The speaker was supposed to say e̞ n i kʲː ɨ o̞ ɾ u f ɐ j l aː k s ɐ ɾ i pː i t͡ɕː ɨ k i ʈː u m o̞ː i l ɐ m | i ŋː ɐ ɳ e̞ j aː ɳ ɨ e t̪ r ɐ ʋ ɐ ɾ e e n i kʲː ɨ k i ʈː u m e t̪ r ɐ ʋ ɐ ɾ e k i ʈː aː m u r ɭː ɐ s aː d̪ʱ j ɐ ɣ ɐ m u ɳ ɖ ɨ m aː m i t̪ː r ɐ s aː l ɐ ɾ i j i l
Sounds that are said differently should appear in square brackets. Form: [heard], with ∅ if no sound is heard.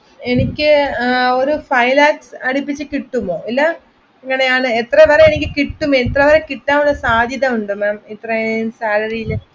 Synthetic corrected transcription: e̞ n i kʲː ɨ o̞ ɾ u f ɐ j l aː k s ɐ [ɽ] i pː i t͡ɕː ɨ k i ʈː u m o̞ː i [lː] ɐ [∅] | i ŋː ɐ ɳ e̞ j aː ɳ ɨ e t̪ r ɐ ʋ ɐ ɾ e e n i kʲː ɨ k i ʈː u m e t̪ r ɐ ʋ ɐ ɾ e k i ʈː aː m u [∅] ɭː ɐ s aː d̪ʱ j ɐ [ð] ɐ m u ɳ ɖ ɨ m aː m i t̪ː r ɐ s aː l ɐ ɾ i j i l